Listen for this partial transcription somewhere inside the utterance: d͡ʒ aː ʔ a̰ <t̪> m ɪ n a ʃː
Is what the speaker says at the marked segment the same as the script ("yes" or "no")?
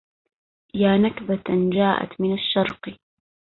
yes